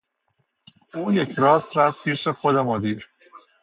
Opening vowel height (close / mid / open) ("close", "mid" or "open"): close